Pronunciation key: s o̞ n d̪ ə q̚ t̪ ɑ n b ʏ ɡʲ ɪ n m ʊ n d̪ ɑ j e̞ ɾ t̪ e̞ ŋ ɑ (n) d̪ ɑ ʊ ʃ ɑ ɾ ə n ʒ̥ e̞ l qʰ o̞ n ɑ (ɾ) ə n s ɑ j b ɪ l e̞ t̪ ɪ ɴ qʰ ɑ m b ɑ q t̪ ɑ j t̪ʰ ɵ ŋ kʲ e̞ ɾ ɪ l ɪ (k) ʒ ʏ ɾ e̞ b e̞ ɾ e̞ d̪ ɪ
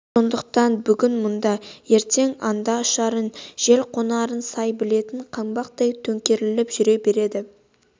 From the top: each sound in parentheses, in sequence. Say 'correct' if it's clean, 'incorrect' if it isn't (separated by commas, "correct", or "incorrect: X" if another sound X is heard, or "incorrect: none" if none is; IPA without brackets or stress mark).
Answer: correct, correct, incorrect: p